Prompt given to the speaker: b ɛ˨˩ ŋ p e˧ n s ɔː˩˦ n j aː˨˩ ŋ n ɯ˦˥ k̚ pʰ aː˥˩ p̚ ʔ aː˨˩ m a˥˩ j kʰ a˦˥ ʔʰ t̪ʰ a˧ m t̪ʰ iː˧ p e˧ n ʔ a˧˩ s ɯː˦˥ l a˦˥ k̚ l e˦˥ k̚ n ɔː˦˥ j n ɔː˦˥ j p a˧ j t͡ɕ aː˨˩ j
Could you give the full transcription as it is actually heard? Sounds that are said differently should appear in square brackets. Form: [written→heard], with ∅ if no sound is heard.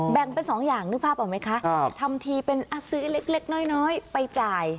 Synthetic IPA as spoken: b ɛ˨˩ ŋ p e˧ n s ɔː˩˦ [n→ŋ] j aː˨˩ ŋ n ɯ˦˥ k̚ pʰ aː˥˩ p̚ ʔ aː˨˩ m [a˥˩→a˦˥] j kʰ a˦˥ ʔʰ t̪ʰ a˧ m t̪ʰ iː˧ p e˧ n ʔ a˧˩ s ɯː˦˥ l [a˦˥→e˦˥] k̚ l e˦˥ k̚ n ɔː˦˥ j n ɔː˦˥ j p a˧ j t͡ɕ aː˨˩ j